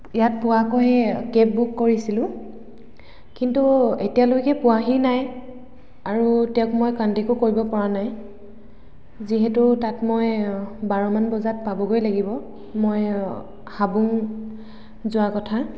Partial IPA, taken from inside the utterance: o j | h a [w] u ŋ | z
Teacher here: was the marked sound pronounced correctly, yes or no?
no